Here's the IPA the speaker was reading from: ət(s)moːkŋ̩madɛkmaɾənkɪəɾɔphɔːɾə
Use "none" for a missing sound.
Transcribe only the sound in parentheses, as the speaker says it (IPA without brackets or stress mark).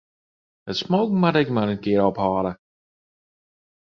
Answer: s